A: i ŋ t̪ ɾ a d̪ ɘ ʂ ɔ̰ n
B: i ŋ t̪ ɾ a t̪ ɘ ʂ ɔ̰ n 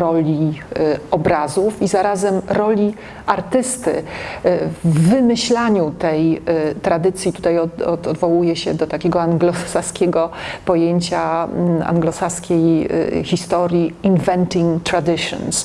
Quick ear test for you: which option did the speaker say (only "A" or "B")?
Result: A